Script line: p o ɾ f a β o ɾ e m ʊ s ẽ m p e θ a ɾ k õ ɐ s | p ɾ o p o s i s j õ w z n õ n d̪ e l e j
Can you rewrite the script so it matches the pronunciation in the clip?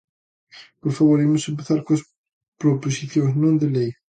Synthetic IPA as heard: p o ɾ f a β o ɾ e m ʊ s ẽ m p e θ a ɾ k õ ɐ s | p ɾ o p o s i θ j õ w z n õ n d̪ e l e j